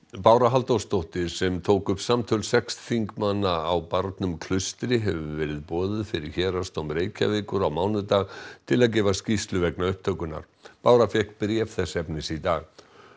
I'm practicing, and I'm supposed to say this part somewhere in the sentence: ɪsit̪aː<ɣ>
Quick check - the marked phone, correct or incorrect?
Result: correct